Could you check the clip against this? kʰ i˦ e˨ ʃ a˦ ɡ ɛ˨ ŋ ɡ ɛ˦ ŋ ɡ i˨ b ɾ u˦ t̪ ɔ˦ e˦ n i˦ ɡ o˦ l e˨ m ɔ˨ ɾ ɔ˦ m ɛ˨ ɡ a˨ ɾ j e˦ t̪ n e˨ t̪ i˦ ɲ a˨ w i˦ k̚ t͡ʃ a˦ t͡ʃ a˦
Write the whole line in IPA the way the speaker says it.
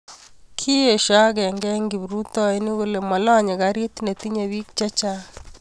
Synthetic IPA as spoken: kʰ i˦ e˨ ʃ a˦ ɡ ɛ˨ ŋ ɡ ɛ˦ ŋ ɡ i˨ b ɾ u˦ t̪ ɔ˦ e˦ n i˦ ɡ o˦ l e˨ m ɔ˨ l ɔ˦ ɲ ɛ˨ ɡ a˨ ɾ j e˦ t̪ n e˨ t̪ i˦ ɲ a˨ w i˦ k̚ t͡ʃ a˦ t͡ʃ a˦